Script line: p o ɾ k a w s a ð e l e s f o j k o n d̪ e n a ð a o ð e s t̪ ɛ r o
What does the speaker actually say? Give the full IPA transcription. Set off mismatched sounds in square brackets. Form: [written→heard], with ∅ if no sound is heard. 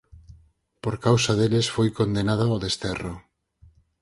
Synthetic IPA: p o ɾ k a w s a ð e l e s f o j k o n d̪ e n a ð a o ð e s t̪ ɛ r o